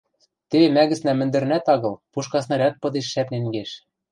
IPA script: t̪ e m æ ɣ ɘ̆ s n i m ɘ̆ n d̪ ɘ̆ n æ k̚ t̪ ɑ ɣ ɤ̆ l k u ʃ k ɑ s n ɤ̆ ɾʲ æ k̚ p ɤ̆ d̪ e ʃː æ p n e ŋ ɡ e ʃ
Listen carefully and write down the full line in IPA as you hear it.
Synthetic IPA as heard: t̪ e m æ ɣ ɘ̆ s n æ m ɘ̆ n d̪ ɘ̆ n æ t̪ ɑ ɣ ɤ̆ l p u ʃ k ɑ s n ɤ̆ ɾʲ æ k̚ p ɤ̆ d̪ e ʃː æ p n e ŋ ɡ e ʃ